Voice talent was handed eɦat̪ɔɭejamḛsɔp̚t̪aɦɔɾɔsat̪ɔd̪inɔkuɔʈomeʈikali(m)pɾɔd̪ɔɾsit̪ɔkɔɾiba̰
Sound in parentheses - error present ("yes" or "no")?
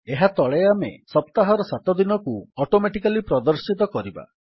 yes